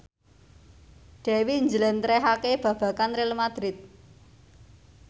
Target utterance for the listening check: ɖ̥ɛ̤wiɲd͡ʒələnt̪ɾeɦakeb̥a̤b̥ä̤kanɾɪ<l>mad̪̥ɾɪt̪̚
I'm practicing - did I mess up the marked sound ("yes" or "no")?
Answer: no